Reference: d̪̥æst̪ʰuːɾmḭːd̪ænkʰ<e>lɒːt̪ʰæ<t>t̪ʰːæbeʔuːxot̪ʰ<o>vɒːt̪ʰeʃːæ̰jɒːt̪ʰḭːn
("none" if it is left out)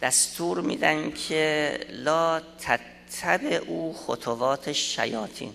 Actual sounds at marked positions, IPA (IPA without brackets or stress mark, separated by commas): e, t, o